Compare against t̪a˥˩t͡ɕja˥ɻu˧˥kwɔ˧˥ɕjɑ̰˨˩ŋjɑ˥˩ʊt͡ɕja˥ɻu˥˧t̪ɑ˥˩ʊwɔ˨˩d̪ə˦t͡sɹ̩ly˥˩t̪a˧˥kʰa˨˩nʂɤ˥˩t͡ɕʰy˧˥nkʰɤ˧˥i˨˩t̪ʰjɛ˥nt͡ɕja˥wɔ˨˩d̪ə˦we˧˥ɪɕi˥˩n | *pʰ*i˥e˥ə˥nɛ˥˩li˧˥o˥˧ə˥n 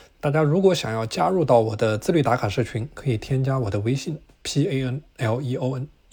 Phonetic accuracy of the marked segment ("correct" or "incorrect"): correct